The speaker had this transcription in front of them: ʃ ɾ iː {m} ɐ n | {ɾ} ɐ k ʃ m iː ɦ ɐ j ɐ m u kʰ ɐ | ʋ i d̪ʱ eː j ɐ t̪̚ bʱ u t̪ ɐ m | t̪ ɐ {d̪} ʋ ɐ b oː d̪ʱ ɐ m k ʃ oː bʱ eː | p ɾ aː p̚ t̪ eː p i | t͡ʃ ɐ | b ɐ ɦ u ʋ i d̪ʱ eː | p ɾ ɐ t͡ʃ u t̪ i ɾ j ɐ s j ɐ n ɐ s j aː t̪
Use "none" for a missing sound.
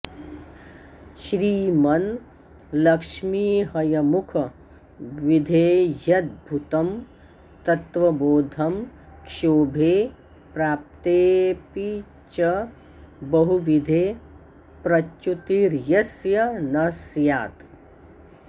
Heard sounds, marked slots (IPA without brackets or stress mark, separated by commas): m, l, t̪